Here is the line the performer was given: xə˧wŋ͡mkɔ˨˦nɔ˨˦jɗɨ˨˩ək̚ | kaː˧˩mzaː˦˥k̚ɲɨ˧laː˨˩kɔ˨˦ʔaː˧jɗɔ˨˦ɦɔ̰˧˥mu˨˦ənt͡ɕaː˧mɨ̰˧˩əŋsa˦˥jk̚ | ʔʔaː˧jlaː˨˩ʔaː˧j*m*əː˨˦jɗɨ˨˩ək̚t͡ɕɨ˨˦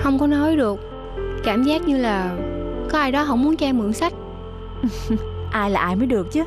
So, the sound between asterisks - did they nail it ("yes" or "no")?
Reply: yes